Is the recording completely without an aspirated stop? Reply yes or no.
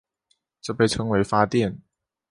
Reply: no